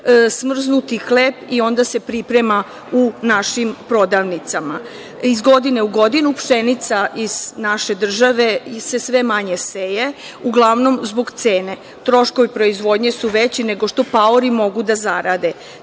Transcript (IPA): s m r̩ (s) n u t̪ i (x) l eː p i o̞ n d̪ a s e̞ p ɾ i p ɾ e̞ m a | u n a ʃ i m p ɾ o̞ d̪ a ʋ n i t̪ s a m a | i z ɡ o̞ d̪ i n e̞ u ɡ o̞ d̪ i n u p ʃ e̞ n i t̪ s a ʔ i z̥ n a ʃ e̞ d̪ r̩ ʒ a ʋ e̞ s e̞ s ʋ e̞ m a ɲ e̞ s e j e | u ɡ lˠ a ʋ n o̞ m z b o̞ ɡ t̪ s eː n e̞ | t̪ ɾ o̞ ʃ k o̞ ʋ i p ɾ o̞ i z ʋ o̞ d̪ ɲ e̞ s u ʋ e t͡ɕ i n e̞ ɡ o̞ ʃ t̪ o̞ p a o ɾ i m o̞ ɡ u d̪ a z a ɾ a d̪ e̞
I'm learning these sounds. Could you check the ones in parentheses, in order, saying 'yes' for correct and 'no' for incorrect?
no, yes

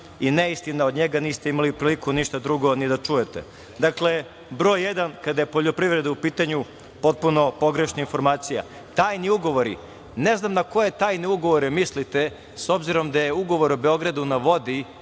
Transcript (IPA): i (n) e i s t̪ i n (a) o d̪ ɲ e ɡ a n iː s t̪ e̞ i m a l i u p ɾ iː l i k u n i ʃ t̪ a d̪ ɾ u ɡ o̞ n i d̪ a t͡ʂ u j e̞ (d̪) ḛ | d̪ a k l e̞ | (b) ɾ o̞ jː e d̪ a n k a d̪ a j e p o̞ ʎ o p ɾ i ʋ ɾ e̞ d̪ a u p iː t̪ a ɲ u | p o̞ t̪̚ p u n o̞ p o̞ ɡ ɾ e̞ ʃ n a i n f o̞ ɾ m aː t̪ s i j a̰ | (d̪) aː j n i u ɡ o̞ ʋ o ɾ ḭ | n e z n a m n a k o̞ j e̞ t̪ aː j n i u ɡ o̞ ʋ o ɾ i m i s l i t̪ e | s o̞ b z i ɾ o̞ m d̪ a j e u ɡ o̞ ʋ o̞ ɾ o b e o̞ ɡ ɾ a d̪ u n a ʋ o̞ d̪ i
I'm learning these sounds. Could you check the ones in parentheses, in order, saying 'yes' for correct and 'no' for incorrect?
yes, yes, no, yes, no

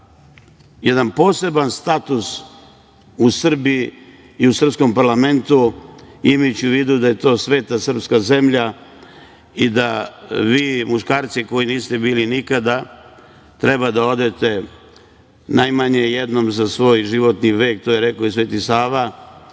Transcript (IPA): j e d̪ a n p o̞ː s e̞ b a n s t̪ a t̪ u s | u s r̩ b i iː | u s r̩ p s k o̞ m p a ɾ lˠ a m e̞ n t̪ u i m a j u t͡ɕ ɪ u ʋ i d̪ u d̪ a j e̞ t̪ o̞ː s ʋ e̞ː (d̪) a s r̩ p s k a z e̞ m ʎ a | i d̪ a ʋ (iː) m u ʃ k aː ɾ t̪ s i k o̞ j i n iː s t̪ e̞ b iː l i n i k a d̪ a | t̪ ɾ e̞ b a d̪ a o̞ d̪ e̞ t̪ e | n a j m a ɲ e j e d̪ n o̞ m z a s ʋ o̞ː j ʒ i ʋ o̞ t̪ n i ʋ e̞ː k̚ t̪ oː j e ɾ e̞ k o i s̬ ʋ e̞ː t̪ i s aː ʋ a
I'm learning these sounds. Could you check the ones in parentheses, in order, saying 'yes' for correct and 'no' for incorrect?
no, yes

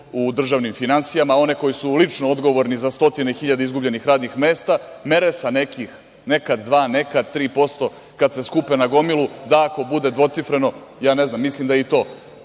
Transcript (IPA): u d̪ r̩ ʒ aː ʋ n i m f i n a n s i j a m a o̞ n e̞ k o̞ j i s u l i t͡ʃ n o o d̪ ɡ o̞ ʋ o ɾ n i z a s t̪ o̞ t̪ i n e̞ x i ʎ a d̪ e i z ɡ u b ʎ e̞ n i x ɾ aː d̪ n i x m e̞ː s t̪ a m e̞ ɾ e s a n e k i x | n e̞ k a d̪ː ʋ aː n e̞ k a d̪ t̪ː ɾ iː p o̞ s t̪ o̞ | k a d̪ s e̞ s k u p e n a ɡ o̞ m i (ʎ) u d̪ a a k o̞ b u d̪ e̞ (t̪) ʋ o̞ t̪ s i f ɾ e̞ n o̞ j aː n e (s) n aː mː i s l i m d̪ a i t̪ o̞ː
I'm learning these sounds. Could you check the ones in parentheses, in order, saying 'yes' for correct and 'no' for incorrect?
no, no, no

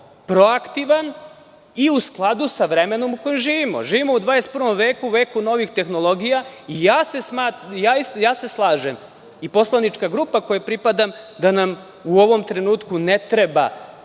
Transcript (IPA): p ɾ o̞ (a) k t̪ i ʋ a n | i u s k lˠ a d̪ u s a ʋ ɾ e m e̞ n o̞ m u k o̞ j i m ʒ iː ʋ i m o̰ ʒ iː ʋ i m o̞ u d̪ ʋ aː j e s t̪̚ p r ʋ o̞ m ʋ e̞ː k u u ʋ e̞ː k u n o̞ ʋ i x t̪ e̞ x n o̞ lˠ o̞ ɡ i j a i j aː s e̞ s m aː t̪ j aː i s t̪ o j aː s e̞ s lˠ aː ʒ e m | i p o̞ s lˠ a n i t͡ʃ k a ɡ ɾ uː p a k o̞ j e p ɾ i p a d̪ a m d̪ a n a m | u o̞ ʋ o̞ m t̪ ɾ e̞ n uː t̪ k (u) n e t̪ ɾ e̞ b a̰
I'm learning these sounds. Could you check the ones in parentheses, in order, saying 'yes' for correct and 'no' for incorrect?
yes, yes

